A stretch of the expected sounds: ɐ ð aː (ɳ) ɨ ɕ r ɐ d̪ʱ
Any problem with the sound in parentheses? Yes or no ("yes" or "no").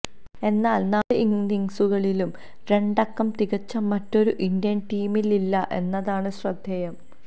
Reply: no